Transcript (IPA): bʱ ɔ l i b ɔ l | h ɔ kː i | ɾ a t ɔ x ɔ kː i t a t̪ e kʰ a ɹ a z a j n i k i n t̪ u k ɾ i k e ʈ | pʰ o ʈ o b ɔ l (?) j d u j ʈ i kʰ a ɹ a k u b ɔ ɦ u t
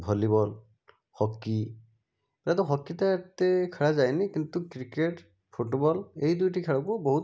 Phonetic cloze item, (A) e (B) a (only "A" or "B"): A